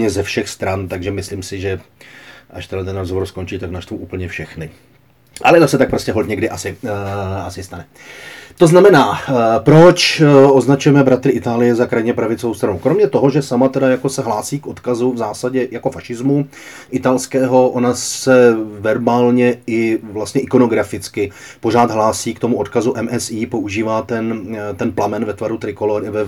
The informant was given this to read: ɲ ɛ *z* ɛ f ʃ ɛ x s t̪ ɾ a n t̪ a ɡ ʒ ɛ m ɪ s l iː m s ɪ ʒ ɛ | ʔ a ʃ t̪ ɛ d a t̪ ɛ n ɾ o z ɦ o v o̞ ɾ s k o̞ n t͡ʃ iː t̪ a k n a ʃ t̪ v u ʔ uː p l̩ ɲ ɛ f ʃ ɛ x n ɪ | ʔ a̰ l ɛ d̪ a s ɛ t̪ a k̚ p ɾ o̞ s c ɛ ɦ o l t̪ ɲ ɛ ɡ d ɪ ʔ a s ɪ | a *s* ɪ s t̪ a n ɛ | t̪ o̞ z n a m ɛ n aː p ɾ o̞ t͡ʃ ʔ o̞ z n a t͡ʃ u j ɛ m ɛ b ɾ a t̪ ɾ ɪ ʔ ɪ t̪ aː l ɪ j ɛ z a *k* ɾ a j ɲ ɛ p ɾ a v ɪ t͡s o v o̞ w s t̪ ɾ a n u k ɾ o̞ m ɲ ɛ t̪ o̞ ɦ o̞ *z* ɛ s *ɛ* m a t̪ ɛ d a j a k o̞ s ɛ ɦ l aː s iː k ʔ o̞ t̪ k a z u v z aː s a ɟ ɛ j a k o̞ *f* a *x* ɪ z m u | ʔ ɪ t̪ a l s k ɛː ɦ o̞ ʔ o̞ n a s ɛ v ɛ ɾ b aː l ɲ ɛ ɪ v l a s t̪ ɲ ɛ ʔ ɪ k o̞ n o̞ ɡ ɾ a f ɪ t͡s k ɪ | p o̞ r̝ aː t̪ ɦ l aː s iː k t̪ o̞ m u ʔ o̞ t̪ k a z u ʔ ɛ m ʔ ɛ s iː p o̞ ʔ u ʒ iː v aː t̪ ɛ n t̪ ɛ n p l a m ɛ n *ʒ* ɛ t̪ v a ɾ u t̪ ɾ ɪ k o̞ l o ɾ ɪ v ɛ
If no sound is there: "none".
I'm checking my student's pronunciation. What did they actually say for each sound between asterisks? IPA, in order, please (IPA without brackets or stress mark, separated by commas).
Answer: z, s, k, ʒ, a, f, ʃ, v